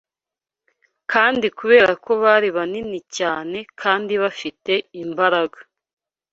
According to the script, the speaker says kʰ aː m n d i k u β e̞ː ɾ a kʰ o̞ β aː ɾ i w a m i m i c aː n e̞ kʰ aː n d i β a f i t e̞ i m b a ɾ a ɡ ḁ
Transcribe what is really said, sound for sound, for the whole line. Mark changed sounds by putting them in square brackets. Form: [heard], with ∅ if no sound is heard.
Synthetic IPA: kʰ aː [∅] n d i k u β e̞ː ɾ a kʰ o̞ β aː ɾ i [β] a [n] i [n] i c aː n e̞ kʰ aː n d i β a f i t e̞ i m b a ɾ a ɡ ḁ